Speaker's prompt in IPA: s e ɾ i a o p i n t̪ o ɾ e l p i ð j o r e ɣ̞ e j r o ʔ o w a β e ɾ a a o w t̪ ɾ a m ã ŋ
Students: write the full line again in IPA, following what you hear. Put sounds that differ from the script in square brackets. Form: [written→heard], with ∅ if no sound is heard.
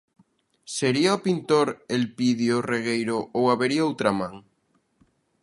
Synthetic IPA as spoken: s e ɾ i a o p i n t̪ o ɾ e l p i ð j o r e ɣ̞ e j [r→ɾ] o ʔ o w a β e ɾ [a→i] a o w t̪ ɾ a m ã ŋ